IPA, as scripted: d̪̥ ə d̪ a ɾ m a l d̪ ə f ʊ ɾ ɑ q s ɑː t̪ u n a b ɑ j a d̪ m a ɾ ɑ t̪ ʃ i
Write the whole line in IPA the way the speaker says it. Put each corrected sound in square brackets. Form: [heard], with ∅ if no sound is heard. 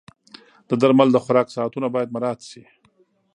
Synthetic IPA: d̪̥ ə d̪ a ɾ m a l d̪ ə [x] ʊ ɾ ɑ [k] s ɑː t̪ u n a b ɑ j a d̪ m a ɾ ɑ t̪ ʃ i

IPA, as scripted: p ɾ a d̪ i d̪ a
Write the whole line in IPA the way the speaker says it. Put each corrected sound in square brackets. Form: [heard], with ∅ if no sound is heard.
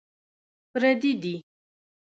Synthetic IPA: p ɾ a d̪ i d̪ [i]

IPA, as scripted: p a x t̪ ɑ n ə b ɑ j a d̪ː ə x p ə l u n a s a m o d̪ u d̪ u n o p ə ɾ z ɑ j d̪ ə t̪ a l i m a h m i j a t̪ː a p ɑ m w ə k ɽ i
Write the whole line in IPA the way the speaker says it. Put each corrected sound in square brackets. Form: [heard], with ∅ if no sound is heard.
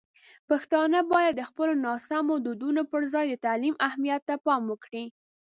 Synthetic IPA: p a x t̪ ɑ n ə b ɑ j a d̪ː ə x p ə l [o] n [ɑ] s a m o d̪ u d̪ u n o p ə ɾ z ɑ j d̪ ə t̪ a l i m a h m i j a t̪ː a p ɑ m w ə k ɽ i

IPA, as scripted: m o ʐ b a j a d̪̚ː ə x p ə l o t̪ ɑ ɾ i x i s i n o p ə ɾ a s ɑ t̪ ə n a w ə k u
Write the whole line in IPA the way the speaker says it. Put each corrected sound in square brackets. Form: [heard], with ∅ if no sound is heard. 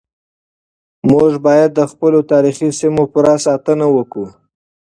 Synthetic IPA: m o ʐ b [ɑ] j a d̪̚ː ə x p ə l o t̪ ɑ ɾ i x i s i [m] o p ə ɾ a s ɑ t̪ ə n a w ə k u

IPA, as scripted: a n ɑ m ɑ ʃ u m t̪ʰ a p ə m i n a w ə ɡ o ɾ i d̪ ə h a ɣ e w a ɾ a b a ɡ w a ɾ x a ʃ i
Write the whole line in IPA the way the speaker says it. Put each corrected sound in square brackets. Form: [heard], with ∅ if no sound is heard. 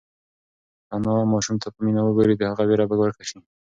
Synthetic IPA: a n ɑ m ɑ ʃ u m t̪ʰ a p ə m i n a w ə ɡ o ɾ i d̪ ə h a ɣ [a] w [e] ɾ a b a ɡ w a ɾ [k] a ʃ i

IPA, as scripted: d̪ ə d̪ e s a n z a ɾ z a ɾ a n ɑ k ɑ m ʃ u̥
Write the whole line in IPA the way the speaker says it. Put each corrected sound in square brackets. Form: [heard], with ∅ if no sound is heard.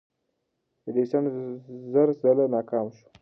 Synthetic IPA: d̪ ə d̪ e s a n z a ɾ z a [l] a n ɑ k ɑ m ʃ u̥

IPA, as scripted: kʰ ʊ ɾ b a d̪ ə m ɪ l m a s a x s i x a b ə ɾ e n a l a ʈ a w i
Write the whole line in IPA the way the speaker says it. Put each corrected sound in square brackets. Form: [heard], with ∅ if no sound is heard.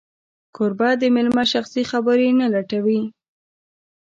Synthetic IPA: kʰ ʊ ɾ b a d̪ ə m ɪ l m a [ʃ] a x s i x a b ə ɾ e n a l a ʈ a w i

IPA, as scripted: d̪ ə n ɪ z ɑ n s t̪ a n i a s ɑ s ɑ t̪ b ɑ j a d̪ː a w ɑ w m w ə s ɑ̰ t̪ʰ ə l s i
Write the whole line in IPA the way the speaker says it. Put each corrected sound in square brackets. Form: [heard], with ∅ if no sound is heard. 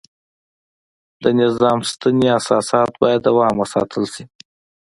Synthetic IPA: d̪ ə n ɪ z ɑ [m] s t̪ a n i a s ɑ s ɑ t̪ b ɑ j a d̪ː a w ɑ [∅] m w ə s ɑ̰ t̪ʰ ə l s i

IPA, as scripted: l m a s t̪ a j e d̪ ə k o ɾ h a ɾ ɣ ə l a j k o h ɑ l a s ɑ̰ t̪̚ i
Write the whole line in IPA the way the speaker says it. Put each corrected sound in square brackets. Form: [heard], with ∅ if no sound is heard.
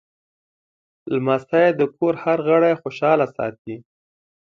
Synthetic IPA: l m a s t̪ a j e d̪ ə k o ɾ h a ɾ ɣ ə [ɽ] a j [x] o [ʃ] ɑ l a s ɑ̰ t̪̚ i

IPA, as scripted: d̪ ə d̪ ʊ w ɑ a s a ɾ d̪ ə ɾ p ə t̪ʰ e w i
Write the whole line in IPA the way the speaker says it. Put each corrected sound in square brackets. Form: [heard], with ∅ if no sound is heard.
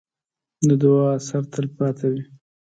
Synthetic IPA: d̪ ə d̪ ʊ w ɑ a s a ɾ [t̪] ə [l] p [ɑ] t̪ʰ [a] w i

